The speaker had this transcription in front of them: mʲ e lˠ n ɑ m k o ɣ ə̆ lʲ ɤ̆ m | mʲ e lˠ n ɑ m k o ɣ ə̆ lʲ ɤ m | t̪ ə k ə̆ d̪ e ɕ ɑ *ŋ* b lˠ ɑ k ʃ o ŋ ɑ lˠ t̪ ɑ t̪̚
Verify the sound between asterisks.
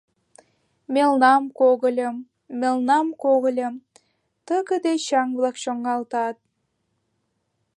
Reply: correct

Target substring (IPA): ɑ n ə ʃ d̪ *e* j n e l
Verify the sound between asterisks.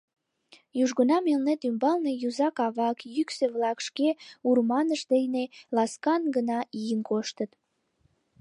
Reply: correct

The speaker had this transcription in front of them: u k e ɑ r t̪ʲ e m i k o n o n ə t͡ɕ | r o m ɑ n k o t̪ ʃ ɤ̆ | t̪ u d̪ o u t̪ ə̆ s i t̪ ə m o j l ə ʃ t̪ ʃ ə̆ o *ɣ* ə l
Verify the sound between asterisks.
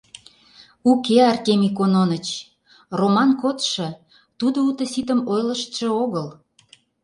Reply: correct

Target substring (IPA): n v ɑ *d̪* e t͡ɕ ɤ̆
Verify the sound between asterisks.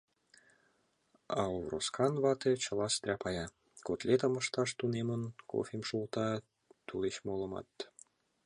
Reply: incorrect: t̪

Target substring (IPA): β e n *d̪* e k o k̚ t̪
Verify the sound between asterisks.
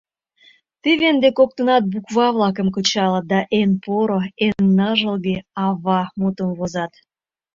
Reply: correct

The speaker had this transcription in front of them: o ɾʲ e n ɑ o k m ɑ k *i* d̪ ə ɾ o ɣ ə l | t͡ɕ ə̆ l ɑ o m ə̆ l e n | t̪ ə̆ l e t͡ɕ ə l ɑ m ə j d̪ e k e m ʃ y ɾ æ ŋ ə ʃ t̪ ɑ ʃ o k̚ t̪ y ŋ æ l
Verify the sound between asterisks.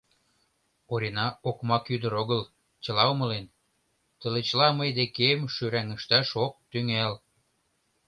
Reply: incorrect: y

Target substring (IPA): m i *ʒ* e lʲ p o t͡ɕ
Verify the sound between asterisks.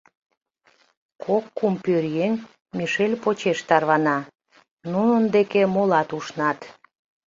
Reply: incorrect: ʃ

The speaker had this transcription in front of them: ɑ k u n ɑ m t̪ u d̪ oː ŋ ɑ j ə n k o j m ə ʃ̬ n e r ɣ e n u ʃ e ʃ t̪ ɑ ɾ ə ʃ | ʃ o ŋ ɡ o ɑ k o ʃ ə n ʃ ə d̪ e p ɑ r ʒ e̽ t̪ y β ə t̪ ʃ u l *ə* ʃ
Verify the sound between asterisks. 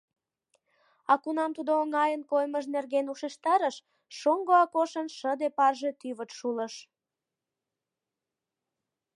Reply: correct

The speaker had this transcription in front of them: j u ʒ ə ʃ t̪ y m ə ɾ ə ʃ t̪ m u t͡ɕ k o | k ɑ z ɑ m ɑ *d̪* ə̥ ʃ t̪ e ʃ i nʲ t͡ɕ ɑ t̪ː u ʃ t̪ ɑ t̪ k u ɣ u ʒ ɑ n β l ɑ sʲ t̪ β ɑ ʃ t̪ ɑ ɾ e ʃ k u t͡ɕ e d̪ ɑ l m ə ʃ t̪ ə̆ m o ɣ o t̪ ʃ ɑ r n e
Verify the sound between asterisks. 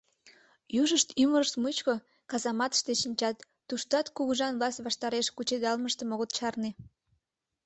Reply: incorrect: t̪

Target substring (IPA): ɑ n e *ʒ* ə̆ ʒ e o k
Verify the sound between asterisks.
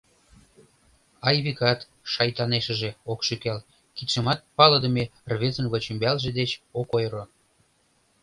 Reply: incorrect: ʃ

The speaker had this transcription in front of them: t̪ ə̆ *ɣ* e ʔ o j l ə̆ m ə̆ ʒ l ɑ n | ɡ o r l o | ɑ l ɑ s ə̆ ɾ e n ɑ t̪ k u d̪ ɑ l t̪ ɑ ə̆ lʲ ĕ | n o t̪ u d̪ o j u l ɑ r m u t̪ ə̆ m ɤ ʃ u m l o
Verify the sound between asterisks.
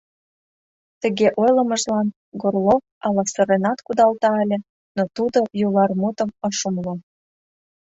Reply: correct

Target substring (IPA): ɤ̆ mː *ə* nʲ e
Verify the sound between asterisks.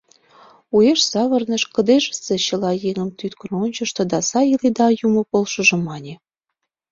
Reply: incorrect: ɑ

